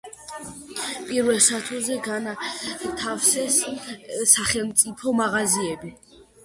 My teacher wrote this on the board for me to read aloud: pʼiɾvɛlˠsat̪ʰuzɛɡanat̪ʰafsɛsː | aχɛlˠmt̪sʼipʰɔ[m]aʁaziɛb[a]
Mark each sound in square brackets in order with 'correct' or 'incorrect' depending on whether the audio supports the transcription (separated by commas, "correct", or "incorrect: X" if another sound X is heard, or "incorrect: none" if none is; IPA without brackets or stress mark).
correct, incorrect: i